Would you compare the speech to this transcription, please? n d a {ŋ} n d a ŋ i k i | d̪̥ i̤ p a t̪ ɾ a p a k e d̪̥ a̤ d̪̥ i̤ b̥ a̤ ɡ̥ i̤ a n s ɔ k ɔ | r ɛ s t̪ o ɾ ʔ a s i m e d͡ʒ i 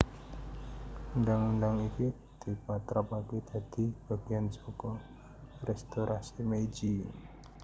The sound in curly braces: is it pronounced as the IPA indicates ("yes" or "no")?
yes